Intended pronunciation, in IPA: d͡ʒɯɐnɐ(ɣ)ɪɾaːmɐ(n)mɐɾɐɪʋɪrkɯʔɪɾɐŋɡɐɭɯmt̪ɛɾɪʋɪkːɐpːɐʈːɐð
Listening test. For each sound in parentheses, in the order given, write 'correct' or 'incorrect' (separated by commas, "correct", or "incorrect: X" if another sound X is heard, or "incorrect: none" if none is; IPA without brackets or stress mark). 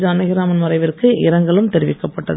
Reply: correct, correct